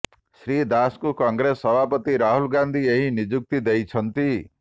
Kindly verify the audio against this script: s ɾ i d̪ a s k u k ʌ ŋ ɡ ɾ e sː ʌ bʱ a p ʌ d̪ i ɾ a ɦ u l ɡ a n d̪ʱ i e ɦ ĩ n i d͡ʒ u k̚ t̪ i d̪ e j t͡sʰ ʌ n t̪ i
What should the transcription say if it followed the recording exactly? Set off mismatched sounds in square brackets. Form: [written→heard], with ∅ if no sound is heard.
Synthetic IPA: s ɾ i d̪ a s k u k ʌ ŋ ɡ ɾ e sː ʌ bʱ a p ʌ [d̪→t̪] i ɾ a ɦ u l ɡ a n d̪ʱ i e ɦ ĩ n i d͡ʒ u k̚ t̪ i d̪ e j t͡sʰ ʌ n t̪ i